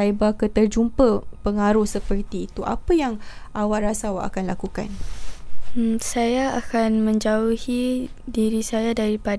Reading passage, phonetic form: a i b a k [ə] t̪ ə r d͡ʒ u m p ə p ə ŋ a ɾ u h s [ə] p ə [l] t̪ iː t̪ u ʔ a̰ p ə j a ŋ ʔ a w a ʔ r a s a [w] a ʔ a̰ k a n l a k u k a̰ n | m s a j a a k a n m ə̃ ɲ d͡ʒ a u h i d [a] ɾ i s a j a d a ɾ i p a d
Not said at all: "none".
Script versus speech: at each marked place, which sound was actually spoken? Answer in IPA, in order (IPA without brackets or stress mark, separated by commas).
ə, ə, r, w, i